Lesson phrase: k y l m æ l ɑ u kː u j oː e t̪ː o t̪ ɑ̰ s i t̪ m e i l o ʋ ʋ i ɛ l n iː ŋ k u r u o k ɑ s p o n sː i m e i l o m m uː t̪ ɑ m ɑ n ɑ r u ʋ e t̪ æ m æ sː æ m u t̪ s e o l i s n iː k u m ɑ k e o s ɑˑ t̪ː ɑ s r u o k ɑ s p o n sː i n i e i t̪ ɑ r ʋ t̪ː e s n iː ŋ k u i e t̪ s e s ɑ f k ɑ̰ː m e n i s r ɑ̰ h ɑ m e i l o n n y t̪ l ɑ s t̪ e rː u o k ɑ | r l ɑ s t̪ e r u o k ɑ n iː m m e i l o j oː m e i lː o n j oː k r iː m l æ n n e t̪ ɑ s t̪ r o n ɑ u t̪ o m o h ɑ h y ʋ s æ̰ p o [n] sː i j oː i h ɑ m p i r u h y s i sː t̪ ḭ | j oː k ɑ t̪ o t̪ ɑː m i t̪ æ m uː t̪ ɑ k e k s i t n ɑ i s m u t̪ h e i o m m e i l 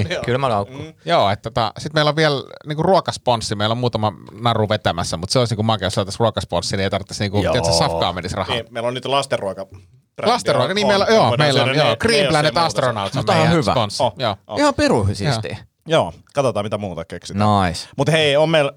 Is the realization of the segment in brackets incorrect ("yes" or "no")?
no